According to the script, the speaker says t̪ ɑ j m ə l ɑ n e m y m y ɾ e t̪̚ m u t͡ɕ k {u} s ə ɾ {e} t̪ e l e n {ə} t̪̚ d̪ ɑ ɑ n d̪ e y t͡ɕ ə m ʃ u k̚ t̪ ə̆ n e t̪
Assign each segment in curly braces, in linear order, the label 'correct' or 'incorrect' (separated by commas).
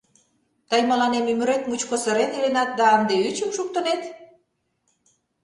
incorrect, correct, incorrect